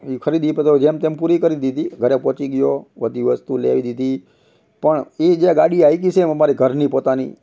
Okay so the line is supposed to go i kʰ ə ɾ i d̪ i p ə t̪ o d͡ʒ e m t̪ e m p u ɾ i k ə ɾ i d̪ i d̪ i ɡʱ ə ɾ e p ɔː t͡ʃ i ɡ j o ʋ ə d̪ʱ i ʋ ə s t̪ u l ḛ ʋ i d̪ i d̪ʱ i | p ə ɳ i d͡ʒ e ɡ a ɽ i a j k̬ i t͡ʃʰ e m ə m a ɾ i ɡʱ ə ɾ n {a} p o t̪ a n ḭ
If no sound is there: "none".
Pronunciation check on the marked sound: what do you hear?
i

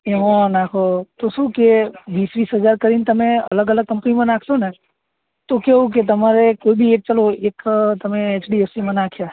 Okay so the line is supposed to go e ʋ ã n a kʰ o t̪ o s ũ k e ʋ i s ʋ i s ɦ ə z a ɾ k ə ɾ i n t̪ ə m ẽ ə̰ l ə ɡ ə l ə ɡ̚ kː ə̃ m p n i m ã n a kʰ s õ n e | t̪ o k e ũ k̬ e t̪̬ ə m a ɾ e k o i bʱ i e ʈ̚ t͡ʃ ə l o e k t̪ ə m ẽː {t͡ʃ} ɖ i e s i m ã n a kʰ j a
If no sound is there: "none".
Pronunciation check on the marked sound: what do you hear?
t͡ʃ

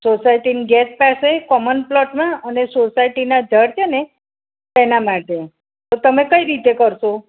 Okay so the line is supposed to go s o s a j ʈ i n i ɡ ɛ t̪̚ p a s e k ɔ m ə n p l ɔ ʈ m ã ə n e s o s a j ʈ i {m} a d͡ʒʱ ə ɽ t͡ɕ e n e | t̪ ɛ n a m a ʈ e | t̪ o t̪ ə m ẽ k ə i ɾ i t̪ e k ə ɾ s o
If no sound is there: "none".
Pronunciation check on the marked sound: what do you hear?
n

